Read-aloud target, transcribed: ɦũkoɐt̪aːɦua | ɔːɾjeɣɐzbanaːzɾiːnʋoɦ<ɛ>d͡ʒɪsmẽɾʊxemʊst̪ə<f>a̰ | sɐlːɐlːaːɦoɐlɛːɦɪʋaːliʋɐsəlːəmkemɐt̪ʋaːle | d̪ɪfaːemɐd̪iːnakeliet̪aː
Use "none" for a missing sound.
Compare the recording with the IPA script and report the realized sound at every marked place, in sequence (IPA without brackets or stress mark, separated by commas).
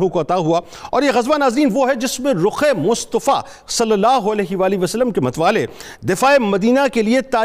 ɛ, f